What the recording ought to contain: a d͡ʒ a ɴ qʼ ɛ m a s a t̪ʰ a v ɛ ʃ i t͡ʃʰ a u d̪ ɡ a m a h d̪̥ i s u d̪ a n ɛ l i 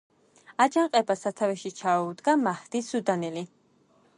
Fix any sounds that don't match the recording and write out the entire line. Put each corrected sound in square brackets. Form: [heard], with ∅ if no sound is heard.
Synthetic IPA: a d͡ʒ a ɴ qʼ ɛ [b] a s a t̪ʰ a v ɛ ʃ i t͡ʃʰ a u d̪ ɡ a m a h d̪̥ i s u d̪ a n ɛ l i